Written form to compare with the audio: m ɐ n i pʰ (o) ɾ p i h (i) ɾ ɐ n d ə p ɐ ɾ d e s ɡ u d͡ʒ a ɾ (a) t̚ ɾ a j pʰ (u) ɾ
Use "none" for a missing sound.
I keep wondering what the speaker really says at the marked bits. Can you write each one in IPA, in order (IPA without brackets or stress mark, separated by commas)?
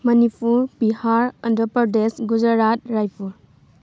u, a, a, u